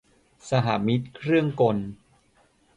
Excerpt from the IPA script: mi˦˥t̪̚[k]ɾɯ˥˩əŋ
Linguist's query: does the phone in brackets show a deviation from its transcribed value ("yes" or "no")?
yes